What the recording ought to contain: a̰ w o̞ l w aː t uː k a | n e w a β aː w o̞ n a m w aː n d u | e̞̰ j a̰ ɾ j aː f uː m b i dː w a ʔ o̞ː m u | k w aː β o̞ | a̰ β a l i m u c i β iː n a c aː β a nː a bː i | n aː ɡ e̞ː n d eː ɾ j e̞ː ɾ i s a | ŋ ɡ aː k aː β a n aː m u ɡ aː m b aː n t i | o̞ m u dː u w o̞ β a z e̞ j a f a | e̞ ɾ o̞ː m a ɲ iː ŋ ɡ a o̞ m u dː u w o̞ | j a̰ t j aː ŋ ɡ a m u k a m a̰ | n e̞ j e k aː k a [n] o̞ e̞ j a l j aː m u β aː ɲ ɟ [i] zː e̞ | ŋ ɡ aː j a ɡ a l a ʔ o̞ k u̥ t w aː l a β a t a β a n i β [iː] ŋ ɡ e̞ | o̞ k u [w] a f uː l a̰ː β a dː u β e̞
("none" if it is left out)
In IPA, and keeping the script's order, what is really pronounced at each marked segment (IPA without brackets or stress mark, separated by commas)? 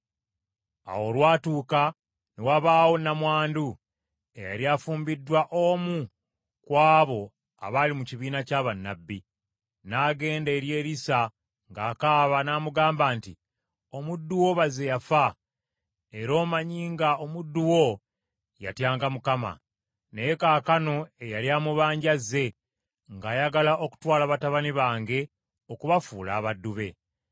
n, a, aː, β